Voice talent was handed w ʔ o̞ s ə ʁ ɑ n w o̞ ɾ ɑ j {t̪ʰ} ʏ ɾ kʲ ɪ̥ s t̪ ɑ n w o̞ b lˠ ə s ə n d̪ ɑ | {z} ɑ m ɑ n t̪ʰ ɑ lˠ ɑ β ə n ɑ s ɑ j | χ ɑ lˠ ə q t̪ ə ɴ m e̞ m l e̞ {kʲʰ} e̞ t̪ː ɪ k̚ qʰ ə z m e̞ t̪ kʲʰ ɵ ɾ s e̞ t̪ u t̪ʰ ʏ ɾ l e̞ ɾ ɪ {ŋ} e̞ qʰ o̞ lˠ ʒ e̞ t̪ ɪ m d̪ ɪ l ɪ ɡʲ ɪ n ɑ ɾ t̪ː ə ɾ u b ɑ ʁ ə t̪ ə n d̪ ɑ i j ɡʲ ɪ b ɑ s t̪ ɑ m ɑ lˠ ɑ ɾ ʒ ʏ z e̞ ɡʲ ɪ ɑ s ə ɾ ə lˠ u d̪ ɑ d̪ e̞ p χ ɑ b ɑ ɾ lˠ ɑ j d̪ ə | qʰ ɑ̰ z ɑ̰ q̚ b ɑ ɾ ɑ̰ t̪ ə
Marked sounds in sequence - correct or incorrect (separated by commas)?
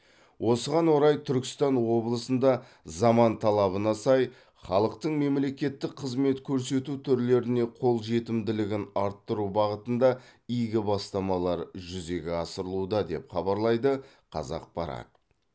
correct, correct, incorrect, incorrect